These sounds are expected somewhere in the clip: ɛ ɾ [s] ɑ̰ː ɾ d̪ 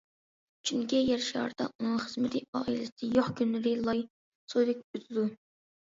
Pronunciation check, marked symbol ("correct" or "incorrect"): incorrect